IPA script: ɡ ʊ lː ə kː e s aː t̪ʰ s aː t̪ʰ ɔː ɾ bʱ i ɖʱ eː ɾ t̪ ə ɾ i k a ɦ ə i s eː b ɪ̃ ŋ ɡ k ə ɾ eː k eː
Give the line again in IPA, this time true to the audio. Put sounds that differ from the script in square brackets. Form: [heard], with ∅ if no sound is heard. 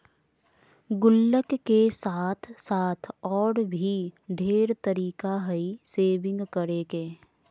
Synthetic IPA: ɡ ʊ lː ə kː e s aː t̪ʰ s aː t̪ʰ ɔː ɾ bʱ i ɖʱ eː ɾ t̪ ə ɾ [iː] k a ɦ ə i s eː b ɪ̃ ŋ ɡ k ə ɾ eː k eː